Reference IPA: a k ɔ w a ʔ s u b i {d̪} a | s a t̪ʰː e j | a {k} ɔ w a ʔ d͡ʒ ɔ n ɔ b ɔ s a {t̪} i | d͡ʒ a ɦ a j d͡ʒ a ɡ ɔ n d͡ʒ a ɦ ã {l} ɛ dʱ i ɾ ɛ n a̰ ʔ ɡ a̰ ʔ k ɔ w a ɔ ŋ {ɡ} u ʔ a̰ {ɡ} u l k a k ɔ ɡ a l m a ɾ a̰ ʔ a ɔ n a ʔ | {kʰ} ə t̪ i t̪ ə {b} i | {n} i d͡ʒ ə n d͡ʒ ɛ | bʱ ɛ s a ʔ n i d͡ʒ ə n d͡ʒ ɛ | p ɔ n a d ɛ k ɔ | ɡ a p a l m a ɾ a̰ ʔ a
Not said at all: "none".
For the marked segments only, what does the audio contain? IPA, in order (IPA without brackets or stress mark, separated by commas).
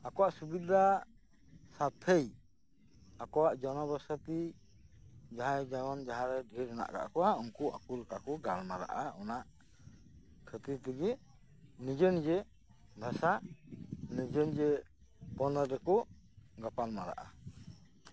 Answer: d̪, k, t̪, ɾ, k, k, kʰ, ɡ, n